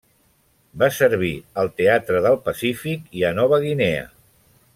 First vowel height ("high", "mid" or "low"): low